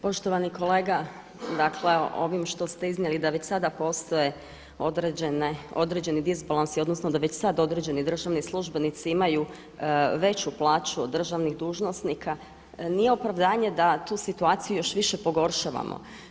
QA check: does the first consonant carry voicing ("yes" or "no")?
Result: no